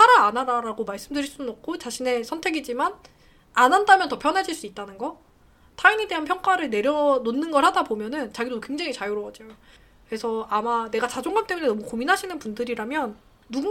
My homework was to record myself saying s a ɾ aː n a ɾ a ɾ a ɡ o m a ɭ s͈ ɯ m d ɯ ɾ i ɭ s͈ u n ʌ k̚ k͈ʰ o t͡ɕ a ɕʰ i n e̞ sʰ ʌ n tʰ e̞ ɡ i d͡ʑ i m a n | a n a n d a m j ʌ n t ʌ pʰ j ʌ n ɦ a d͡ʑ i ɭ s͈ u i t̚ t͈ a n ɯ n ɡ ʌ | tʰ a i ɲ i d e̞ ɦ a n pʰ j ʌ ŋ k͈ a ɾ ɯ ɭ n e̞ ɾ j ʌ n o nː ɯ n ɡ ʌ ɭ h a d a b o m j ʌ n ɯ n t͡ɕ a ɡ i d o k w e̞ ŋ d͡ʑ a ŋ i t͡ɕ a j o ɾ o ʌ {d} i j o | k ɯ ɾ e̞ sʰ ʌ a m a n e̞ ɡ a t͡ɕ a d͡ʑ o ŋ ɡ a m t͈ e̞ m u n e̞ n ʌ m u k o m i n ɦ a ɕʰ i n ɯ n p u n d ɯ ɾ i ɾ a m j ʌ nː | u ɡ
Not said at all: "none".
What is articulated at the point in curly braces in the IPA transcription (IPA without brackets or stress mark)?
d͡ʑ